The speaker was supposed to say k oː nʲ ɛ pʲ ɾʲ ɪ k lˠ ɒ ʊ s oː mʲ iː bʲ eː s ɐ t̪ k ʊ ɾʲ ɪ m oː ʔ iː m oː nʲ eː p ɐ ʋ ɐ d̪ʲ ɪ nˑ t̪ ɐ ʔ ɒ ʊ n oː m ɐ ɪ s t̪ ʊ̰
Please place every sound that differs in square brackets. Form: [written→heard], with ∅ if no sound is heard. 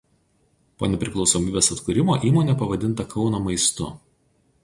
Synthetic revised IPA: [k→p] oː nʲ ɛ pʲ ɾʲ ɪ k lˠ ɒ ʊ s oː mʲ iː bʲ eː s ɐ t̪ k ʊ ɾʲ ɪ m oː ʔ iː m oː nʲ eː p ɐ ʋ ɐ d̪ʲ ɪ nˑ t̪ ɐ [ʔ→k] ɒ ʊ n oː m ɐ ɪ s t̪ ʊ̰